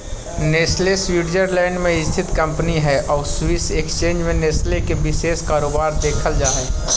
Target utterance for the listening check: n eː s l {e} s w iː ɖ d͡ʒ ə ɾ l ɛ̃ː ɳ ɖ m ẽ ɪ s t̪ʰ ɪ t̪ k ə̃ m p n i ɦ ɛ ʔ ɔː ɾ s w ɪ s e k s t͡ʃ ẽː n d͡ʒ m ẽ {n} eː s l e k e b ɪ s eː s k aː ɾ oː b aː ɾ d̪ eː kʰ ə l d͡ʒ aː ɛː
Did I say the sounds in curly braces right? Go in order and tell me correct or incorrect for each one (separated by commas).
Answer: correct, correct